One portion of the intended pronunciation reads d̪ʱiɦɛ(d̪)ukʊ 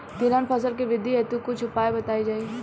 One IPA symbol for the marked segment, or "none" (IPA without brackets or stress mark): t̪